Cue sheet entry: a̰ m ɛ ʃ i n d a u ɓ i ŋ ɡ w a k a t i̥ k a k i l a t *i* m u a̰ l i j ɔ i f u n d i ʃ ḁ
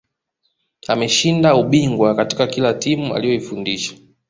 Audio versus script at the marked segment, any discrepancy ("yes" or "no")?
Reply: no